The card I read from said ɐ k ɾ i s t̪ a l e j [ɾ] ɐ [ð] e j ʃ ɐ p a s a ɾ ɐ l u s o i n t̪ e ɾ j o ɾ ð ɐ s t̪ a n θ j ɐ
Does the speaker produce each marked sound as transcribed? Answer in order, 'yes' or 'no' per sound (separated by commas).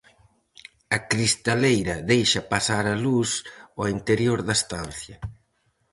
yes, yes